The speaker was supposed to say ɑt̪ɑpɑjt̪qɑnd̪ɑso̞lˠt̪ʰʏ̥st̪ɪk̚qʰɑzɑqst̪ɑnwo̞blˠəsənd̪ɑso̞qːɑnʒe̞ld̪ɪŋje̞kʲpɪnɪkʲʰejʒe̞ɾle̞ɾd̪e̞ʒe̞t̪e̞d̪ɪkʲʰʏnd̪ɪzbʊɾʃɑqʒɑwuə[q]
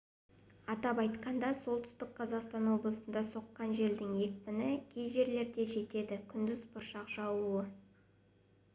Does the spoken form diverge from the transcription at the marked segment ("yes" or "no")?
yes